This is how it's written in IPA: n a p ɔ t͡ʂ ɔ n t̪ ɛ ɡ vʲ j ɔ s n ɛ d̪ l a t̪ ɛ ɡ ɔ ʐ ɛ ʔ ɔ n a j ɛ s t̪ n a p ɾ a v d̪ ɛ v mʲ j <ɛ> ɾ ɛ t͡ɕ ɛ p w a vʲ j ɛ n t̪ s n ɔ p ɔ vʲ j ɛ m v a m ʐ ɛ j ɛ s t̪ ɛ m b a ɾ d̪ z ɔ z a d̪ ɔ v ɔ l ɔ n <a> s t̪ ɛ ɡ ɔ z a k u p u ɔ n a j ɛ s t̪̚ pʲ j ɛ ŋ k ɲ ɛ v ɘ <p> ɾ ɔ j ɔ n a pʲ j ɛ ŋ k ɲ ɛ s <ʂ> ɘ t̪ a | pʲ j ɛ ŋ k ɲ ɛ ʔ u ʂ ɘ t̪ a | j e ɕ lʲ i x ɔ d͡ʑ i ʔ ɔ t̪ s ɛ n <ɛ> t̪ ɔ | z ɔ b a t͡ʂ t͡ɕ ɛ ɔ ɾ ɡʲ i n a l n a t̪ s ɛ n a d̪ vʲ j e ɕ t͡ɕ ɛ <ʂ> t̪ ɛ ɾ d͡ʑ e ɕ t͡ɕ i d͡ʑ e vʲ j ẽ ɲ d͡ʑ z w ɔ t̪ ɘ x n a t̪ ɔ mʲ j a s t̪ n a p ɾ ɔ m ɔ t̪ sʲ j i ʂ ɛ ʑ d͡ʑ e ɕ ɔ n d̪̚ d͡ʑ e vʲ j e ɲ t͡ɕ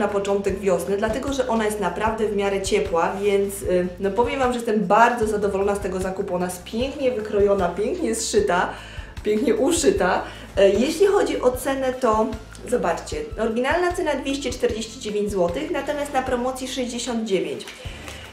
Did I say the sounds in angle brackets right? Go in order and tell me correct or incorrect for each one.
incorrect: a, correct, incorrect: k, correct, correct, incorrect: t͡ʂ

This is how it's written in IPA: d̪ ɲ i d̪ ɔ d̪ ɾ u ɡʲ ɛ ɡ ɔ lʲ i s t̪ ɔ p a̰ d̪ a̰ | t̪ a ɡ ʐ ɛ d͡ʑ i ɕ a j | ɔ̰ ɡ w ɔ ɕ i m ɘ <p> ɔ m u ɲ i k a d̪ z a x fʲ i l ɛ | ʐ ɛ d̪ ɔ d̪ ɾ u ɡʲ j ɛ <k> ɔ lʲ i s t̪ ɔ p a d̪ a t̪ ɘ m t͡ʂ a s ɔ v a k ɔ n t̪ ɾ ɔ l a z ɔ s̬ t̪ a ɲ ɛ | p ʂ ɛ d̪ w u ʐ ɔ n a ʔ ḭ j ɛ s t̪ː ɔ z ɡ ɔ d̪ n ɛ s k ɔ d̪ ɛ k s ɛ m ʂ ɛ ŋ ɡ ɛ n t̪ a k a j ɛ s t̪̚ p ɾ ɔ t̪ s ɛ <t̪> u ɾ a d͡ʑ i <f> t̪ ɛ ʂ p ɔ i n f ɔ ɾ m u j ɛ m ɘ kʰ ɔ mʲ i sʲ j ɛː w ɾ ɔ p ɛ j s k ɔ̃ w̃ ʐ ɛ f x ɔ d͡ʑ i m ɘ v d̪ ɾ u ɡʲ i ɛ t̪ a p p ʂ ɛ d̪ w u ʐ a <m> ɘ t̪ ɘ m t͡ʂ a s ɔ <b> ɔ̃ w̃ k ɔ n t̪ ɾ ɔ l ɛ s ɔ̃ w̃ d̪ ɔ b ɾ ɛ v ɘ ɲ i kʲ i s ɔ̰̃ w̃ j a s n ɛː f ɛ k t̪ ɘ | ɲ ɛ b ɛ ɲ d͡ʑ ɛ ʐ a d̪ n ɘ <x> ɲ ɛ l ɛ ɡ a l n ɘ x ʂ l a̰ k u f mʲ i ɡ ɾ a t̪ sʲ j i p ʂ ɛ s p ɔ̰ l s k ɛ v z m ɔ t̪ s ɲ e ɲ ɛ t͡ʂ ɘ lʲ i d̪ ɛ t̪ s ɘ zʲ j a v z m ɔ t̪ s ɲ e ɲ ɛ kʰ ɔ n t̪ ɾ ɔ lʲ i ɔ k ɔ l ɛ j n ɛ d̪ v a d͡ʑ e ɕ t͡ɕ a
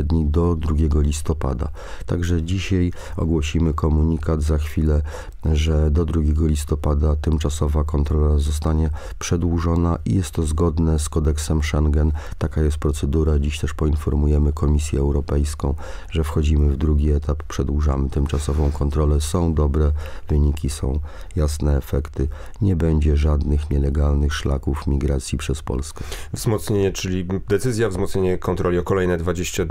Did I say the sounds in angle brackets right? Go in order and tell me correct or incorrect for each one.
incorrect: k, incorrect: ɡ, incorrect: d̪, incorrect: ɕ, correct, incorrect: v, correct

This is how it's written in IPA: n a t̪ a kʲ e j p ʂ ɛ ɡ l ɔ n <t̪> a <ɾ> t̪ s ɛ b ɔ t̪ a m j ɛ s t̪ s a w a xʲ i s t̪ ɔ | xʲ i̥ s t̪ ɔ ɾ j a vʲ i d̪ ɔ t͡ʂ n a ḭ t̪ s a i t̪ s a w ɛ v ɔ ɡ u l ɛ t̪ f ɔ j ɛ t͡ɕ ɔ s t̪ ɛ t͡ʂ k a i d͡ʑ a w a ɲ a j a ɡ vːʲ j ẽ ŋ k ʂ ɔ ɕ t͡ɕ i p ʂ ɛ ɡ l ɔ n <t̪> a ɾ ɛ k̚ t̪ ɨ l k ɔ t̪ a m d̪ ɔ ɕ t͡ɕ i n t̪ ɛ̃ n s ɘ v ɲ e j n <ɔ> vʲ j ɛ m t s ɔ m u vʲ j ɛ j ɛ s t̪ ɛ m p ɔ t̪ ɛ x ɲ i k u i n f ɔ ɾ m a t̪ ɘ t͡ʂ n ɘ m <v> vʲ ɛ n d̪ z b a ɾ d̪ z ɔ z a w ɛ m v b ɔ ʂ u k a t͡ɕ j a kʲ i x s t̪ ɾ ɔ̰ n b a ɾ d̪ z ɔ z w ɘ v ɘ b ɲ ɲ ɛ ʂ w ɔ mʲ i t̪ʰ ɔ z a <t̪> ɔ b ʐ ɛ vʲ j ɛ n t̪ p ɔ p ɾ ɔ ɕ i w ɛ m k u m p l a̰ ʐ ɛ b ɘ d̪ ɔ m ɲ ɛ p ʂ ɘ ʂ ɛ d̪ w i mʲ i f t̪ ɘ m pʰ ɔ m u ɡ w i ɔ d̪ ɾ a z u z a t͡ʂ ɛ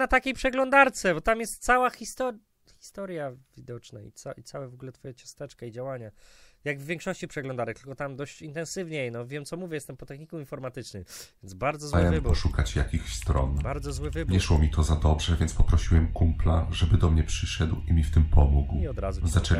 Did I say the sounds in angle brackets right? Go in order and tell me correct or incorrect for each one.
incorrect: d̪, correct, incorrect: d̪, correct, correct, incorrect: d̪

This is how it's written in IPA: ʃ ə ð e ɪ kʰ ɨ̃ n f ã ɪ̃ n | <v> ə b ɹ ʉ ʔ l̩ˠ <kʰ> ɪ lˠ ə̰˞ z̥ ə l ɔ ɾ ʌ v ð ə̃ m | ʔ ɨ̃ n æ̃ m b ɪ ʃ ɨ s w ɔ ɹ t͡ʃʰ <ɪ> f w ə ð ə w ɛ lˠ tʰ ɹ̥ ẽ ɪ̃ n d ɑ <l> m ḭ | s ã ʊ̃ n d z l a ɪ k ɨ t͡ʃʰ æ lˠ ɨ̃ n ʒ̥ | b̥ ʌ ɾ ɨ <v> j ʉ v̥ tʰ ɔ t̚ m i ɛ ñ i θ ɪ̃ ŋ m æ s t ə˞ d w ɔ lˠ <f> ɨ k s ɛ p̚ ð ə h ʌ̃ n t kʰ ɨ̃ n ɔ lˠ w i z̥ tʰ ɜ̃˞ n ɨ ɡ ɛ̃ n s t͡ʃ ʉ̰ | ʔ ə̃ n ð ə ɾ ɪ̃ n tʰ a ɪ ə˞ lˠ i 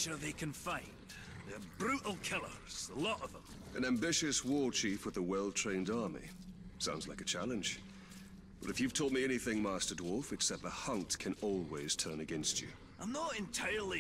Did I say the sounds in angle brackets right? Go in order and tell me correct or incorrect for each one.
incorrect: ð, correct, incorrect: i, incorrect: ɹ, incorrect: f, correct

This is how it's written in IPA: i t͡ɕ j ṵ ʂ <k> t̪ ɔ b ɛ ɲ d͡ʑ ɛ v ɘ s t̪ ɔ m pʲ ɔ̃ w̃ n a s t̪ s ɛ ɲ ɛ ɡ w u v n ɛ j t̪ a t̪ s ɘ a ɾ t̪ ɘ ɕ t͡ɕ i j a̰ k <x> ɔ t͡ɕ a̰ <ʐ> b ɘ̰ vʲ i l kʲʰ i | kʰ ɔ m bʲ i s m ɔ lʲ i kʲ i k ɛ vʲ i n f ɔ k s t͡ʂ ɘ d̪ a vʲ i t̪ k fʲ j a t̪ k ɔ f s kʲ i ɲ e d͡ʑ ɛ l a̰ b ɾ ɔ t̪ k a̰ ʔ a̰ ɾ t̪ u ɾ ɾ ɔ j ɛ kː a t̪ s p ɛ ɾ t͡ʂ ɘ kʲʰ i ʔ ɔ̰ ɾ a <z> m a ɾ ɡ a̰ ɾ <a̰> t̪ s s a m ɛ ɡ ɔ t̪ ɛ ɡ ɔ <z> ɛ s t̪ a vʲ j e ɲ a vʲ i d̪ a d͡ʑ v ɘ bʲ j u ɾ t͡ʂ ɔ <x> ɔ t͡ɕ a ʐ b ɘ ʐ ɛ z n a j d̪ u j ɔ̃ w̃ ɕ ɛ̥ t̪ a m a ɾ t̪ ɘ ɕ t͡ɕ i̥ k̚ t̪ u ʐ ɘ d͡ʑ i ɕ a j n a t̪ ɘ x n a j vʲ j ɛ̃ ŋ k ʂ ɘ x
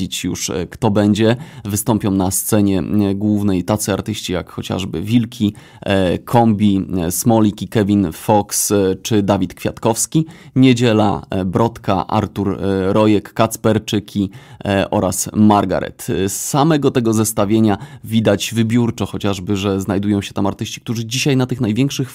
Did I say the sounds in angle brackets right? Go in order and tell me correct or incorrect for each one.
correct, correct, correct, incorrect: s, incorrect: ɛ̰, correct, correct

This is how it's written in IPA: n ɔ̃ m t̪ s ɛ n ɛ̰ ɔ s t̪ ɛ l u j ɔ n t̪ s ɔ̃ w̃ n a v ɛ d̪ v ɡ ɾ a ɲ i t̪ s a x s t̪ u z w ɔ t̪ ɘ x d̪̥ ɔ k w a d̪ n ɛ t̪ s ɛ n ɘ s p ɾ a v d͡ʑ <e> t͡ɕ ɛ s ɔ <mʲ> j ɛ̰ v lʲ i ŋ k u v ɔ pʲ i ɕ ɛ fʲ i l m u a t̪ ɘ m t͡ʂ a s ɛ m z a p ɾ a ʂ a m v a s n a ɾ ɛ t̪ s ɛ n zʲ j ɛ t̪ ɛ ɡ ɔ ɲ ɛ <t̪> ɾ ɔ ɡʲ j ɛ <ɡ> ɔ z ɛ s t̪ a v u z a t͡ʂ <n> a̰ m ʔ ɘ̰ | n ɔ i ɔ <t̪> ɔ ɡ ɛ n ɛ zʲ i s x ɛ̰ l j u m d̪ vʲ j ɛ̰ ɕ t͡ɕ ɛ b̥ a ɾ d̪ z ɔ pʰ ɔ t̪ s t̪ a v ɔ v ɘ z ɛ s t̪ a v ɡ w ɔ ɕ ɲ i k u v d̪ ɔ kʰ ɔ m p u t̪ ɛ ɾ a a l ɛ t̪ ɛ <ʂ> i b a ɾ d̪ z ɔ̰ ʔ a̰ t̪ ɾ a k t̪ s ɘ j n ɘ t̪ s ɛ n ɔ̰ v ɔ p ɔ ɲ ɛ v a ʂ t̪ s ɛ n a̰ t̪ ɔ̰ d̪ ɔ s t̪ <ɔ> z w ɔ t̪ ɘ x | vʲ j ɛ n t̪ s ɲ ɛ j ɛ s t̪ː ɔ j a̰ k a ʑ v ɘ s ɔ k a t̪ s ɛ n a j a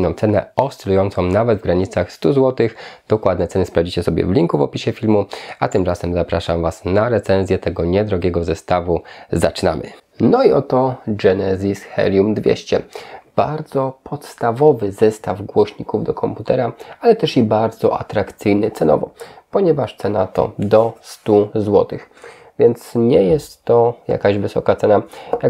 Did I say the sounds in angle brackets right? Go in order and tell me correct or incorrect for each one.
incorrect: i, incorrect: bʲ, incorrect: d̪, correct, correct, correct, correct, incorrect: u

